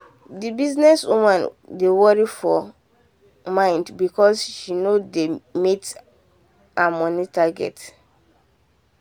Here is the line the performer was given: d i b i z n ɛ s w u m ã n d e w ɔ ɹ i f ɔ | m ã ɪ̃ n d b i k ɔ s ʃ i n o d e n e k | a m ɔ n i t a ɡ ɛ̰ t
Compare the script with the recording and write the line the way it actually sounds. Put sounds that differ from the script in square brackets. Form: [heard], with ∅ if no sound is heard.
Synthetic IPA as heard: d i b i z n ɛ s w u m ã n d e w ɔ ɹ i f ɔ | m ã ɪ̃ n d b i k ɔ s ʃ i n o d e [m] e [t] | a m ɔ n i t a ɡ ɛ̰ t